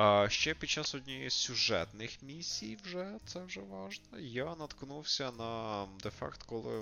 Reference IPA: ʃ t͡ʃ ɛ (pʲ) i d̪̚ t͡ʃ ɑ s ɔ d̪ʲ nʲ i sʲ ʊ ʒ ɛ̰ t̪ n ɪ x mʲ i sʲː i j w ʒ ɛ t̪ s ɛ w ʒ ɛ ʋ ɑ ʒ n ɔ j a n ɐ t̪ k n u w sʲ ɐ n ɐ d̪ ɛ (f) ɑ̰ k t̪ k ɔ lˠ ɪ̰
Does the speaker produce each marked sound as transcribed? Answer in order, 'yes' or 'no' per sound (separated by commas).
yes, yes